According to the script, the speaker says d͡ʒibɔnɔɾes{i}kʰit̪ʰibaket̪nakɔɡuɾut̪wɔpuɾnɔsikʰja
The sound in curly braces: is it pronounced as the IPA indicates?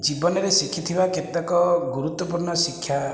yes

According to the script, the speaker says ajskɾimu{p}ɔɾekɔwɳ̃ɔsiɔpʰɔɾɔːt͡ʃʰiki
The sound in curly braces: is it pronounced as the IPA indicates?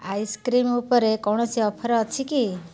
yes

